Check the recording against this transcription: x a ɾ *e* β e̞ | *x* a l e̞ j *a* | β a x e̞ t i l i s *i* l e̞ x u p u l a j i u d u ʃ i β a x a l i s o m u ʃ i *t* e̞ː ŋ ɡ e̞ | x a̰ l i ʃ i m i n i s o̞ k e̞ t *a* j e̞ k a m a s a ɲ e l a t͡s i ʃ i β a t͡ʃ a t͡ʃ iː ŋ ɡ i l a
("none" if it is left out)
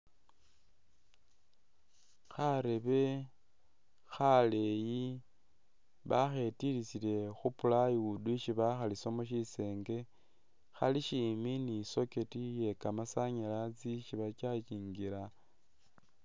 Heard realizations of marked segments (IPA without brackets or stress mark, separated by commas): e, x, i, i, s, i